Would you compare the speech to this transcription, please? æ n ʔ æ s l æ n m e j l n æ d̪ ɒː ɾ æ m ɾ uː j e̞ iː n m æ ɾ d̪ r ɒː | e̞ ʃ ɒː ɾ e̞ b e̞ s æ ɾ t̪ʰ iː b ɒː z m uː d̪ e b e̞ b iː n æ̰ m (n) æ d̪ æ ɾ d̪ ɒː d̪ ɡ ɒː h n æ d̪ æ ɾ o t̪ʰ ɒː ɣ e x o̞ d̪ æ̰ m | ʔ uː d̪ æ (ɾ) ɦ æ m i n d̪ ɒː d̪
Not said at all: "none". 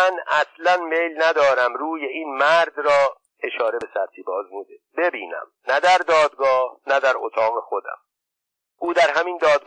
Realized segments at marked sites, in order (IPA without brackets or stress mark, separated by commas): n, ɾ